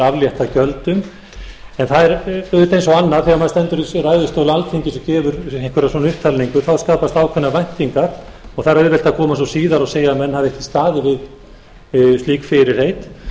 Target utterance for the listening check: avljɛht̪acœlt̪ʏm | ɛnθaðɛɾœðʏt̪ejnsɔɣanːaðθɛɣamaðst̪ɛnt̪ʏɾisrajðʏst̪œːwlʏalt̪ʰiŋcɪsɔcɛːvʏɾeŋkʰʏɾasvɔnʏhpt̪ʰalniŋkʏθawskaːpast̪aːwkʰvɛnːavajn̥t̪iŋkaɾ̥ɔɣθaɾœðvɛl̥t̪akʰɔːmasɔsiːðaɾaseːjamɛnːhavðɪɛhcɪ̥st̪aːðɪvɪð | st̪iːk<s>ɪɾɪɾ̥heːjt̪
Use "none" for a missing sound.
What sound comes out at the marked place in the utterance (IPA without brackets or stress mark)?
f